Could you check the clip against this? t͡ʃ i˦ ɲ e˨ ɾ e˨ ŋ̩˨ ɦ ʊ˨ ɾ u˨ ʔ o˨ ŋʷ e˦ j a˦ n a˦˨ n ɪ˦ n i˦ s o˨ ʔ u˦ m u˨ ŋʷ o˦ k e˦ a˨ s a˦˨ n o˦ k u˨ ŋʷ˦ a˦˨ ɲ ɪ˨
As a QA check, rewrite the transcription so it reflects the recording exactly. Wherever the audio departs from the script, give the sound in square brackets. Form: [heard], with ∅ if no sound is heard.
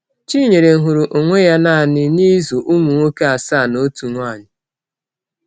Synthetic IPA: t͡ʃ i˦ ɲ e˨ ɾ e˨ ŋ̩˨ ɦ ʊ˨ ɾ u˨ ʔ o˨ ŋʷ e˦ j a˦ n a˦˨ n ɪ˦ n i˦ [z] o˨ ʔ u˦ m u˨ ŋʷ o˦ k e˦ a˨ s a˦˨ n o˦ [t] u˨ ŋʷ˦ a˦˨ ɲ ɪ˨